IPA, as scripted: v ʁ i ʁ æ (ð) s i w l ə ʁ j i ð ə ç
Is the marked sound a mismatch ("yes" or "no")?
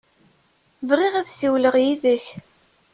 no